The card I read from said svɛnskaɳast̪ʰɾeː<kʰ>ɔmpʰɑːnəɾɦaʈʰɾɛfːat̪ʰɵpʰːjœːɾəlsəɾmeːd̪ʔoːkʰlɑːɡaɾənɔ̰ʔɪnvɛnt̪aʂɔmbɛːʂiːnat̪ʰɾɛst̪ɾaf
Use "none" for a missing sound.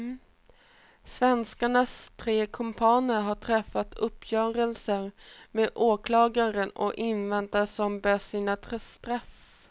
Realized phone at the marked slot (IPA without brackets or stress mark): kʰ